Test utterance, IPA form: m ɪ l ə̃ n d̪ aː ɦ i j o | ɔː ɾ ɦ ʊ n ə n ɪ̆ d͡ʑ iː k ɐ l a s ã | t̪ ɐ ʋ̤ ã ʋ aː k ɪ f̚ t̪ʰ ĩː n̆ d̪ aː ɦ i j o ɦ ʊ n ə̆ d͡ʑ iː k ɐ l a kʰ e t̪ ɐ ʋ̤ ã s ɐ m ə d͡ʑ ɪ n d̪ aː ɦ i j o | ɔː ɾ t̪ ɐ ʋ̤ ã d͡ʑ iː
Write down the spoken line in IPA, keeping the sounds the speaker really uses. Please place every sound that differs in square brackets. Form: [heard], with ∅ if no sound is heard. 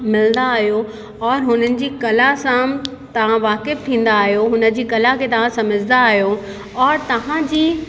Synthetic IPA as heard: m ɪ l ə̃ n d̪ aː ɦ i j o | ɔː ɾ ɦ ʊ n ə n ɪ̆ d͡ʑ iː k ɐ l a s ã | t̪ ɐ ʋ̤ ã ʋ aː k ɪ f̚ t̪ʰ ĩː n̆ d̪ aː ɦ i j o ɦ ʊ n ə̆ d͡ʑ iː k ɐ l a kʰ e t̪ ɐ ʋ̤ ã s ɐ m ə d͡ʑ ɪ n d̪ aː ɦ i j o | ɔː ɾ t̪ ɐ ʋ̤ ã d͡ʑ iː